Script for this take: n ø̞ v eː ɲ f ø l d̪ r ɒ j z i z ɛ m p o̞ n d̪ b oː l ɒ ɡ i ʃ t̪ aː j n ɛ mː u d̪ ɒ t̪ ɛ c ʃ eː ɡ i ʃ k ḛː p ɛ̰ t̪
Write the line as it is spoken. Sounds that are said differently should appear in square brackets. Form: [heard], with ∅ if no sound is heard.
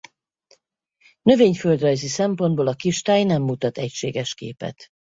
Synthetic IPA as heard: n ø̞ v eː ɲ f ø l d̪ r ɒ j z i [s] ɛ m p o̞ n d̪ b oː l ɒ [k] i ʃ t̪ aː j n ɛ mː u [t̪] ɒ t̪ ɛ c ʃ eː ɡ [ɛ] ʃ k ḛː p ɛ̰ t̪